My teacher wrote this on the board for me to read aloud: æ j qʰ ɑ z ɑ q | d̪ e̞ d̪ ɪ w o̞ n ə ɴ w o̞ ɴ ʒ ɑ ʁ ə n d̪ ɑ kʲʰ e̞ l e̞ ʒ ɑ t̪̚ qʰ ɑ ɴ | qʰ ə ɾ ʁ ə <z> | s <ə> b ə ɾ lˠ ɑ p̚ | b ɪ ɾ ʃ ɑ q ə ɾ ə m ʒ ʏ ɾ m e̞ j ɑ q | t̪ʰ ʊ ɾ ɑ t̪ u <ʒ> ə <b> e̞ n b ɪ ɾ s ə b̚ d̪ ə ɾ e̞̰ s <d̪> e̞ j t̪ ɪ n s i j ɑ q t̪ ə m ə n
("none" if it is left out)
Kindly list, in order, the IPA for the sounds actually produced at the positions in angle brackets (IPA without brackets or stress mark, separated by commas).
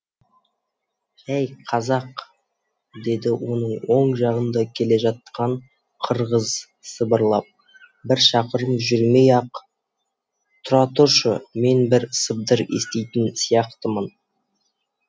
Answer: z, ə, ʃ, m, t̪